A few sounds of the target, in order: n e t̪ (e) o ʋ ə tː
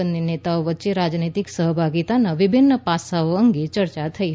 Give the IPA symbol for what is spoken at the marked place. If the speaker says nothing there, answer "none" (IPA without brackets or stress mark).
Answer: a